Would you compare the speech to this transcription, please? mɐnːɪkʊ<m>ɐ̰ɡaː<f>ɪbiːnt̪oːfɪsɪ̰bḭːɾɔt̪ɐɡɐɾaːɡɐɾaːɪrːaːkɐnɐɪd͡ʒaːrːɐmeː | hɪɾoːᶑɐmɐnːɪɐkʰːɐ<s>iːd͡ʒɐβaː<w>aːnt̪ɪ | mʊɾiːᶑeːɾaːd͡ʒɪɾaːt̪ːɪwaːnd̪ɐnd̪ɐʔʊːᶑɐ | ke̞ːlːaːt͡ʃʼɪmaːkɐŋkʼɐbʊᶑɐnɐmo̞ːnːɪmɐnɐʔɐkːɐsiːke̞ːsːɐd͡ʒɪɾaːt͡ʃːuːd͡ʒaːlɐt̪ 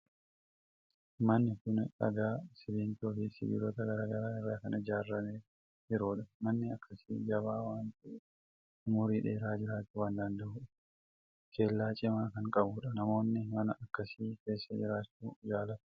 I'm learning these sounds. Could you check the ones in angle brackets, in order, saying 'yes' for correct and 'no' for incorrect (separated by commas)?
no, no, yes, yes